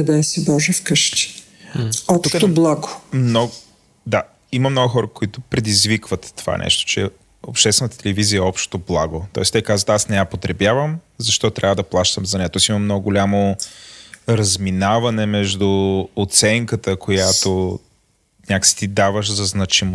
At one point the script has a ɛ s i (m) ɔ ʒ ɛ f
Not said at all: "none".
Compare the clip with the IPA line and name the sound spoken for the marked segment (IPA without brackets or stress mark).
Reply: b